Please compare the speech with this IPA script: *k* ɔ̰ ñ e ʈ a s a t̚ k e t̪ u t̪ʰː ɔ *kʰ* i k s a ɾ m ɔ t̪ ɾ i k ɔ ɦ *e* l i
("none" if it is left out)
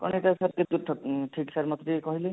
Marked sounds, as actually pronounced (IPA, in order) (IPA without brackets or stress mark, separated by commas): k, ʈʰ, i